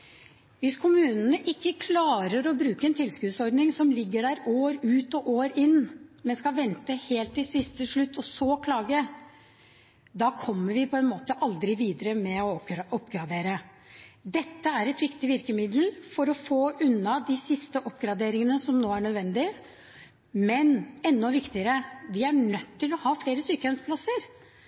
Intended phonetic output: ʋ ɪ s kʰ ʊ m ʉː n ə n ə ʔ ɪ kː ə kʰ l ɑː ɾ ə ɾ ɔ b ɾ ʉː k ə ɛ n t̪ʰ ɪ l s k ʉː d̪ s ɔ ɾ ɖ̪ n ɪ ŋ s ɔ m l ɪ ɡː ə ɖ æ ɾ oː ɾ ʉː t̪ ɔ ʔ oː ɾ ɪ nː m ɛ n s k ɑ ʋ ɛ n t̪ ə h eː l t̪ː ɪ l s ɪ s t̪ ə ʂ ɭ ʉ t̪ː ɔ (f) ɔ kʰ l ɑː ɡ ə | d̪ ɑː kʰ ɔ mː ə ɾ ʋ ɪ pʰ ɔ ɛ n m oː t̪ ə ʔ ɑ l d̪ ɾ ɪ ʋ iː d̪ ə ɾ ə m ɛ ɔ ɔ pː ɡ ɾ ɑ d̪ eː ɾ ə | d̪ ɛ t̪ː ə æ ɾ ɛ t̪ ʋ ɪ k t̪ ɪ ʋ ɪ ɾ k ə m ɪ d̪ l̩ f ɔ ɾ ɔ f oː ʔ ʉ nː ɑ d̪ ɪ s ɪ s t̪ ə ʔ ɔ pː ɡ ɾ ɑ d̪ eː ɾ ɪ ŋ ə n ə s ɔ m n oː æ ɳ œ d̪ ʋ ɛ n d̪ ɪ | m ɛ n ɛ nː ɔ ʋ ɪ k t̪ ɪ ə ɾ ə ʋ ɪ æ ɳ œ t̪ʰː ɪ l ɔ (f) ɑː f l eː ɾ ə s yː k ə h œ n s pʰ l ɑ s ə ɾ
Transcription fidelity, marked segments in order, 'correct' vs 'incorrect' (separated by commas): incorrect, incorrect